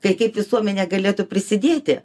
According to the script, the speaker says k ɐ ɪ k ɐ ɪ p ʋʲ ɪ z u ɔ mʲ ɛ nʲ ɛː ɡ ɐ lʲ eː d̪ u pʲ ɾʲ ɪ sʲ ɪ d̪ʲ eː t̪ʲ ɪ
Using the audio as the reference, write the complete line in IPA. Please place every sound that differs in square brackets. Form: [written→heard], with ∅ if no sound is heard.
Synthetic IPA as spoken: k ɐ ɪ k ɐ ɪ p ʋʲ ɪ [z→s] u ɔ mʲ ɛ nʲ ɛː ɡ ɐ lʲ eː [d̪→t̪] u pʲ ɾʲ ɪ sʲ ɪ d̪ʲ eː t̪ʲ ɪ